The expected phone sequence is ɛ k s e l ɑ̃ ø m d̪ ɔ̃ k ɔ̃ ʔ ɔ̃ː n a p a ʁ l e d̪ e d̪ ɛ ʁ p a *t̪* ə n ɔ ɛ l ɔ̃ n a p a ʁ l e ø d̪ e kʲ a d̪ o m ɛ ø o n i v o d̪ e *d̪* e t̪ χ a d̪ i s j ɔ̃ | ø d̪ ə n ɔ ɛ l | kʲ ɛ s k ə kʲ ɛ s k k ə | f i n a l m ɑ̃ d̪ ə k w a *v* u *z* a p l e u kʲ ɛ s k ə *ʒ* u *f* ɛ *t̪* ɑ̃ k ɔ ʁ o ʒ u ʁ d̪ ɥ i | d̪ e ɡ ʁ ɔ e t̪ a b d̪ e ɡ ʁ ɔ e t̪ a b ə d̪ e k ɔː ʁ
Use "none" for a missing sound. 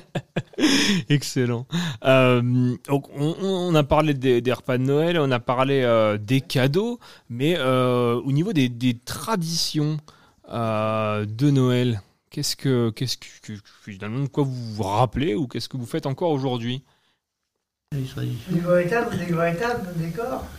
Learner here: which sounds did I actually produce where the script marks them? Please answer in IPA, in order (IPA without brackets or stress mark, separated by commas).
d̪, d̪, v, ʁ, v, f, t̪